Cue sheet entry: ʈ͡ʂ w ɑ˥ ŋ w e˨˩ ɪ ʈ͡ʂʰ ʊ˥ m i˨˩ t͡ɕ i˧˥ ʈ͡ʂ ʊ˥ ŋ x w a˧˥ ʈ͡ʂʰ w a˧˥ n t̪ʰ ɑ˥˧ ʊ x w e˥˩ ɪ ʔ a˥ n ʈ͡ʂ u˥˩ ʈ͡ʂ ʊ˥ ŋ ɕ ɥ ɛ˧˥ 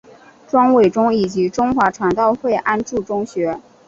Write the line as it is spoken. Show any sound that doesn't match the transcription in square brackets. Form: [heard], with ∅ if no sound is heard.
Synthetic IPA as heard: ʈ͡ʂ w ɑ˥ ŋ w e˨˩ ɪ [ʈ͡ʂ] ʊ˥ [ŋ] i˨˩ t͡ɕ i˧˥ ʈ͡ʂ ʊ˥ ŋ x w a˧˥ ʈ͡ʂʰ w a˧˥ n [t̪] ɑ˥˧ ʊ x w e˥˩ ɪ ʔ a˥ n ʈ͡ʂ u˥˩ ʈ͡ʂ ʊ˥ ŋ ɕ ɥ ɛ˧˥